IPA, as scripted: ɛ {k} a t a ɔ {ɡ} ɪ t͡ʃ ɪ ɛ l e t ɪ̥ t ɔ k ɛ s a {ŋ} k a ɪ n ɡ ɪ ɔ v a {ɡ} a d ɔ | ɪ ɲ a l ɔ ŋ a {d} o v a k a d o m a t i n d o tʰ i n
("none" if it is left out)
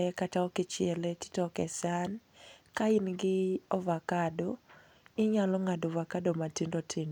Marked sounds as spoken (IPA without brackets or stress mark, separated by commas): k, k, n, k, d